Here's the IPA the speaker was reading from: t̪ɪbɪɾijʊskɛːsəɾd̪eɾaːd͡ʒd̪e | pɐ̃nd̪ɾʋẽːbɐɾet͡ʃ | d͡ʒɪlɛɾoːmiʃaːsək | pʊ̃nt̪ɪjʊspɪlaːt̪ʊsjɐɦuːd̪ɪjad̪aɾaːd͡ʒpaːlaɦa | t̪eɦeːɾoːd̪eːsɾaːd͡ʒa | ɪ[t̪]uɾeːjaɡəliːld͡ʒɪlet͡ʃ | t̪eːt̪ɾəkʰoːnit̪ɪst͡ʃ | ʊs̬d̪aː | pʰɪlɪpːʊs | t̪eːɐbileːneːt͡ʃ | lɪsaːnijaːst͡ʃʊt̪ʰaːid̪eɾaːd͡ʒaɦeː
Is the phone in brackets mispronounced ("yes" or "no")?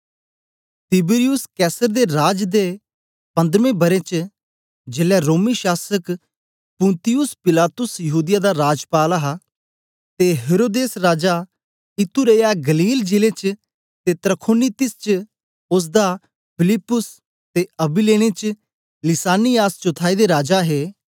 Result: no